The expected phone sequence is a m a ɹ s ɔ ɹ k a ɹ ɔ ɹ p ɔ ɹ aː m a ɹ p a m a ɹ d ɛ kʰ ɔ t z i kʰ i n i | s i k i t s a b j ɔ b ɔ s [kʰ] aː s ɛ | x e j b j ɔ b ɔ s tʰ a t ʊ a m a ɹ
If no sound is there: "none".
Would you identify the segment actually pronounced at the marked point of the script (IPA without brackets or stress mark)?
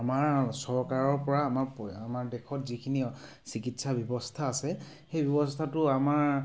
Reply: tʰ